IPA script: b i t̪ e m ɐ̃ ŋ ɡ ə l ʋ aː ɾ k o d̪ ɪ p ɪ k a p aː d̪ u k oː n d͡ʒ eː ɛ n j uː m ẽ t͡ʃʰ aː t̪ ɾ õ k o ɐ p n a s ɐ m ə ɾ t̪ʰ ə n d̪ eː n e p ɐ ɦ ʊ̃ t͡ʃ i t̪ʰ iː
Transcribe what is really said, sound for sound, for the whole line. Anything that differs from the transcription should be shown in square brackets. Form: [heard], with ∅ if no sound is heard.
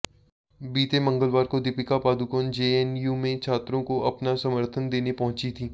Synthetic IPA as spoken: b [iː] t̪ e m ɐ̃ ŋ ɡ ə l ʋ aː ɾ k o d̪ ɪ p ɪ k a p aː d̪ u k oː n d͡ʒ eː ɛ n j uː m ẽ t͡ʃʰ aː t̪ ɾ õ k o ɐ p n a s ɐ m ə ɾ t̪ʰ ə n d̪ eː n e p ɐ ɦ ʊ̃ t͡ʃ i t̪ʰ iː